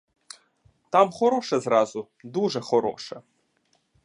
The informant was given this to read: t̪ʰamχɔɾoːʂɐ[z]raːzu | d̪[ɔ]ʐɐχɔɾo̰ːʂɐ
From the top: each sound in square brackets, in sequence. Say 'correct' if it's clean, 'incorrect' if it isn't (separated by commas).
correct, incorrect